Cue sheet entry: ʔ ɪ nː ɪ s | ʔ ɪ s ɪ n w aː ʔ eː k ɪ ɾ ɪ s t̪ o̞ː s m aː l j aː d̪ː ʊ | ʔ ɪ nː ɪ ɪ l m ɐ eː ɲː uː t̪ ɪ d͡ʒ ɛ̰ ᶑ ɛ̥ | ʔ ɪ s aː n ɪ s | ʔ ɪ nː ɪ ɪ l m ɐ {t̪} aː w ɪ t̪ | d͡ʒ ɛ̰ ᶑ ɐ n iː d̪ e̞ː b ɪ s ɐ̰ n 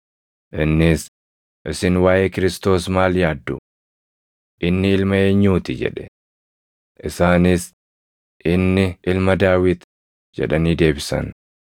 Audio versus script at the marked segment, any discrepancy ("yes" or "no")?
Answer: yes